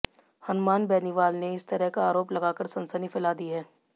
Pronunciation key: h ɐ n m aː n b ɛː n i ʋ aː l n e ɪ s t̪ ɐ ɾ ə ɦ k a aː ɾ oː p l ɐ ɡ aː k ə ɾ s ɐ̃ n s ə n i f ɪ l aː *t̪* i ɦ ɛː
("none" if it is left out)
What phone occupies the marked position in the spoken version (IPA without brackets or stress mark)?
d̪